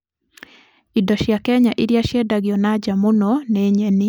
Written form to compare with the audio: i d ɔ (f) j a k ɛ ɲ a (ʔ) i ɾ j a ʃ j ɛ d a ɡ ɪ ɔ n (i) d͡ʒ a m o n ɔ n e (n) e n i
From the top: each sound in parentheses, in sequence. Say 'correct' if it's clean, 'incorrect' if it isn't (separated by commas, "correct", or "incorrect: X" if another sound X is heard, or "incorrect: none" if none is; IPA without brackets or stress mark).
incorrect: ʃ, correct, incorrect: a, incorrect: ɲ